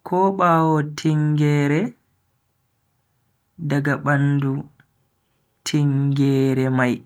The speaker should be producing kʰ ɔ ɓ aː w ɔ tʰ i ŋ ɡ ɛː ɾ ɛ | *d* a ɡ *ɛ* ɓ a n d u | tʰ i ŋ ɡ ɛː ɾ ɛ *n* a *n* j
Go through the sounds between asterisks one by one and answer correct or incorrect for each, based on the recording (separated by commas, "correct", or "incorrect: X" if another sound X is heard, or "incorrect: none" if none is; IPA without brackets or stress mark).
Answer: correct, incorrect: a, incorrect: m, incorrect: none